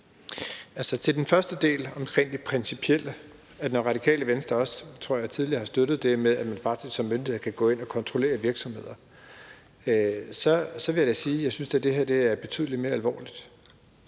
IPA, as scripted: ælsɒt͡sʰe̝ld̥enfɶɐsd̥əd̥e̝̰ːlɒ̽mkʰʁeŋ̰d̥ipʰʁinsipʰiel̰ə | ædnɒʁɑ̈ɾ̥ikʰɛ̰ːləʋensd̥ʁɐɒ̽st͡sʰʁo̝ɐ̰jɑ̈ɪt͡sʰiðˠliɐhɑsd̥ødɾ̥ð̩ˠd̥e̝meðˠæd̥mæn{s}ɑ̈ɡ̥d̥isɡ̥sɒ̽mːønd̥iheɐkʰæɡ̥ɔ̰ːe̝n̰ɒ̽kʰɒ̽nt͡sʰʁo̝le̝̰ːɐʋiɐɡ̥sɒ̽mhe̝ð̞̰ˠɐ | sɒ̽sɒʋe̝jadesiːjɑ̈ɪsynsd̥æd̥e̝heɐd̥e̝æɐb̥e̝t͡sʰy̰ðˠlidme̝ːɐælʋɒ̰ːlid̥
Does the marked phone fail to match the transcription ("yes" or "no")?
yes